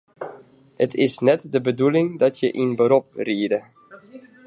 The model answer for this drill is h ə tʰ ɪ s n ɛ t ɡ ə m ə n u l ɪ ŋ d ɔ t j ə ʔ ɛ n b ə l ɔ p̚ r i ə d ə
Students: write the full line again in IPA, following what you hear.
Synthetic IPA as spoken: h ə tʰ ɪ s n ɛ t d ə b ə d u l ɪ ŋ d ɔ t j ə ʔ i n b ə ɾ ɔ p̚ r i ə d ə